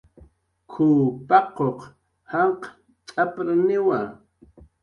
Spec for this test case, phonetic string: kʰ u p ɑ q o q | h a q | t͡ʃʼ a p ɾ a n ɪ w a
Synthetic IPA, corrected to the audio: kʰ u p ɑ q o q | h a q | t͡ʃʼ a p ɾ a n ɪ w a